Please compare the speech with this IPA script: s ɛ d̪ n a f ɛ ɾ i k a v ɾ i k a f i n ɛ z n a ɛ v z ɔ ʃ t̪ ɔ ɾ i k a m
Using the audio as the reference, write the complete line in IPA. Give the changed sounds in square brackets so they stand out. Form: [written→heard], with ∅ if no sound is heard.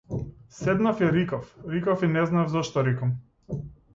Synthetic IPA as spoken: s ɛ d̪ n a f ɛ ɾ i k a [v→f] ɾ i k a f i n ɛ z n a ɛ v z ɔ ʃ t̪ ɔ ɾ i k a m